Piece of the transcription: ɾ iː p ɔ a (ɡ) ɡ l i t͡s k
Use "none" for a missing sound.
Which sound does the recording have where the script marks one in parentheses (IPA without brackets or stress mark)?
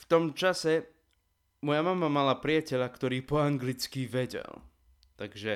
ŋ